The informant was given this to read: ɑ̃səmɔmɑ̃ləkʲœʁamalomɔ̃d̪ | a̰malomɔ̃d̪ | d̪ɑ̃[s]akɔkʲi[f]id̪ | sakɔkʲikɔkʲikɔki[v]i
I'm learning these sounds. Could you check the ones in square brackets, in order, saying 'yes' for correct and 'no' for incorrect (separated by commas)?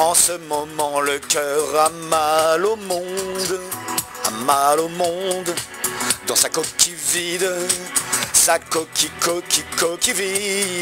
yes, no, yes